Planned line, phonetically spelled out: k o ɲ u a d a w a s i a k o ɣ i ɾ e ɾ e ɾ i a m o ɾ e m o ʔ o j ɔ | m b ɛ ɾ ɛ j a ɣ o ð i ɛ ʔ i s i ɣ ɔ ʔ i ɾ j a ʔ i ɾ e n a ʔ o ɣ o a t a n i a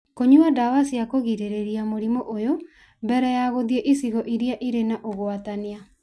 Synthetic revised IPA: k o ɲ u a d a w a s i a k o ɣ i ɾ e ɾ e ɾ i a m o ɾ i m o ʔ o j o | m b ɛ ɾ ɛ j a ɣ o ð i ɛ ʔ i s i ɣ ɔ ʔ i ɾ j a ʔ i ɾ e n a ʔ o ɣ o a t a n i a